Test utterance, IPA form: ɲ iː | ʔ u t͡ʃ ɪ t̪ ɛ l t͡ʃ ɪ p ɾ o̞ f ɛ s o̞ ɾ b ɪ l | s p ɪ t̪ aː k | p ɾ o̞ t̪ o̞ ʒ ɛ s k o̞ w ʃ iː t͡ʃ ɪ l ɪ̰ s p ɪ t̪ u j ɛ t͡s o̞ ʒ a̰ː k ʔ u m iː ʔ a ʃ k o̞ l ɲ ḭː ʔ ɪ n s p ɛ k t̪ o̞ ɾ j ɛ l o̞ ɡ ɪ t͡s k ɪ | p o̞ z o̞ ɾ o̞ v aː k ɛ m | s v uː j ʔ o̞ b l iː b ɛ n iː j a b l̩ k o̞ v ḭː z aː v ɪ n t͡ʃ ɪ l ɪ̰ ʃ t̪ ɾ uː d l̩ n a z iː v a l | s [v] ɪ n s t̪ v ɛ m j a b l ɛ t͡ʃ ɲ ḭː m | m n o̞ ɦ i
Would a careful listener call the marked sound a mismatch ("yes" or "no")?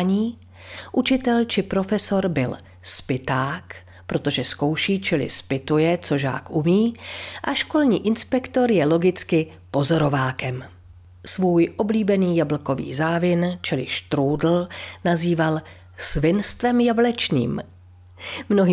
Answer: no